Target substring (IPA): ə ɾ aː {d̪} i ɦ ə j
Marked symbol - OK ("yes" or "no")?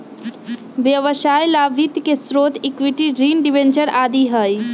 yes